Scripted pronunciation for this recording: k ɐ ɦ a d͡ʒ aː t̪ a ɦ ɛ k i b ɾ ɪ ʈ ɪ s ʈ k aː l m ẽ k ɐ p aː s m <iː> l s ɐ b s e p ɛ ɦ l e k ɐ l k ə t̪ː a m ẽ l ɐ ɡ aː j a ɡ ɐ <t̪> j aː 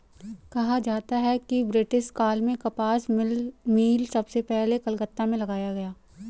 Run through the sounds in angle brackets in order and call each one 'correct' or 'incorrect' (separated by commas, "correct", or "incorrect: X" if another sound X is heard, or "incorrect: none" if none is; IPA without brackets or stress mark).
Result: correct, incorrect: none